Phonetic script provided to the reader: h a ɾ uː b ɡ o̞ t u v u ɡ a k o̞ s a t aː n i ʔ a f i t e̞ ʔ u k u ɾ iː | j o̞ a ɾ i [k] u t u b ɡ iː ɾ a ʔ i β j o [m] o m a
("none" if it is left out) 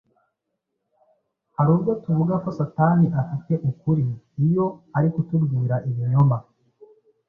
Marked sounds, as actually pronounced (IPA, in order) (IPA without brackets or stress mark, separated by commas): k, ɲ